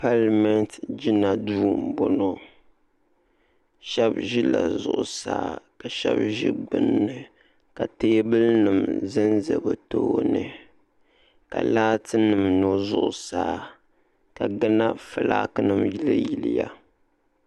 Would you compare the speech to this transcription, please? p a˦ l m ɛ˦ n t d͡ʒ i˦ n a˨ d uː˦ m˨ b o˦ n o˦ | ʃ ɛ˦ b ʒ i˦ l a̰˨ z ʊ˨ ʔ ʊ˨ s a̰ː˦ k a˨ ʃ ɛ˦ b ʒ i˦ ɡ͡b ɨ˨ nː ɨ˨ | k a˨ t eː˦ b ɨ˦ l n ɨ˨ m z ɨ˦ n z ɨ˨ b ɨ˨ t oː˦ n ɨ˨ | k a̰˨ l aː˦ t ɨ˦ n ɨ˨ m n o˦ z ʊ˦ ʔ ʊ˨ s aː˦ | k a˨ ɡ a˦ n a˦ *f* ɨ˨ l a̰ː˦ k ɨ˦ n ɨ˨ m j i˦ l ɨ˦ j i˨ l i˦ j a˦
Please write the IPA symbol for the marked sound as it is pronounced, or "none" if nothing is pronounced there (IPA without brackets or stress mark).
f